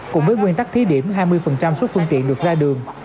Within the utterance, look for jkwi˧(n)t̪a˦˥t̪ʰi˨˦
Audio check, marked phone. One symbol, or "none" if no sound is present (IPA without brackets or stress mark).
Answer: n